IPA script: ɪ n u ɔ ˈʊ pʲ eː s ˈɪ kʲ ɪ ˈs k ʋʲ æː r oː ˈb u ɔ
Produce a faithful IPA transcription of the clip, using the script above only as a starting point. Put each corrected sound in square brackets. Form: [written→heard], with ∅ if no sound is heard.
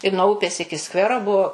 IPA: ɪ n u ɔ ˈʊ pʲ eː s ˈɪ kʲ ɪ ˈs k ʋʲ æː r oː ˈb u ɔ

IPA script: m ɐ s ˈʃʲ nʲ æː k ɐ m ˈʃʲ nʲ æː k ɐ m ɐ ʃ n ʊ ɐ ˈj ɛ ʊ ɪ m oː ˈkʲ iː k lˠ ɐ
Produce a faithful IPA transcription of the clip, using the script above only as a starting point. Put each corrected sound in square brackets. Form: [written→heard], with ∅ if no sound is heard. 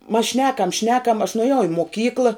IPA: m ɐ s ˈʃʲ nʲ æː k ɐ m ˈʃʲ nʲ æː k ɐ m ɐ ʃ n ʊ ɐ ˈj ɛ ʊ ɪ m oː ˈkʲ iː k lˠ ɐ

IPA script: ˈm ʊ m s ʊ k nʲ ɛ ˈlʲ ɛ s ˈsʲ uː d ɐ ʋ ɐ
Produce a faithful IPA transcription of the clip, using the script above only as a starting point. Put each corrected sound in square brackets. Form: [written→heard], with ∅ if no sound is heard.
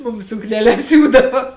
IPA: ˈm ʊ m s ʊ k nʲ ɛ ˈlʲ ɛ s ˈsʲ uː d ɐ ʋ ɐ

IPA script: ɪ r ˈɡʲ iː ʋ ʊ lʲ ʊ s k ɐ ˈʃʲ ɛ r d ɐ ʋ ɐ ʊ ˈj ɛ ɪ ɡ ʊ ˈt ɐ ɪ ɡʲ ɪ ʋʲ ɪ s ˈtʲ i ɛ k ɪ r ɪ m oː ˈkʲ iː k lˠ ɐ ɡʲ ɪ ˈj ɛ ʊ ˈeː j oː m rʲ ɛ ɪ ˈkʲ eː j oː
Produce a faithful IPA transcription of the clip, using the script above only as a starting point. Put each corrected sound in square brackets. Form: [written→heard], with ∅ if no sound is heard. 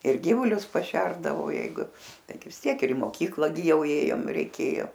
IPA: ɪ r ˈɡʲ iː ʋ ʊ lʲ ʊ s [k→p] ɐ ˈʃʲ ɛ r d ɐ ʋ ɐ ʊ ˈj ɛ ɪ ɡ ʊ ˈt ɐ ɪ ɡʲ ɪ ʋʲ ɪ s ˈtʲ i ɛ k ɪ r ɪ m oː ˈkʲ iː k lˠ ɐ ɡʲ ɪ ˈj ɛ ʊ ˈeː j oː m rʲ ɛ ɪ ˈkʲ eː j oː

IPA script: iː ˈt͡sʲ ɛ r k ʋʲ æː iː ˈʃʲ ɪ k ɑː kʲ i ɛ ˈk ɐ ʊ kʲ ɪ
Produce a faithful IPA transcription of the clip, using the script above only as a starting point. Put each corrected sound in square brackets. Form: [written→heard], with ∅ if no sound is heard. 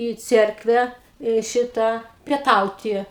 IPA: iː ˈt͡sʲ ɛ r k ʋʲ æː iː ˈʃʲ ɪ [k→t] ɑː [kʲ→pʲ] i ɛ [ˈk→ˈt] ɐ ʊ [kʲ→tʲ] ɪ

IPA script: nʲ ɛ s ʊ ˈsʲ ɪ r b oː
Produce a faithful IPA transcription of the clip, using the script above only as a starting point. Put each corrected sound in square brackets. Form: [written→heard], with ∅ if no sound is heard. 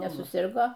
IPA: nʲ ɛ s ʊ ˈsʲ ɪ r [b→ɡ] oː

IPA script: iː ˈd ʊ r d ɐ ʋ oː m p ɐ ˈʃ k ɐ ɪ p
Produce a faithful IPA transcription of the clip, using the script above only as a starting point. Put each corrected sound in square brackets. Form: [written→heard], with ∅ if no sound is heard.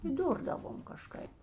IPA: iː ˈd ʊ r d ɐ ʋ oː m [p→k] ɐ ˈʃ k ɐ ɪ p

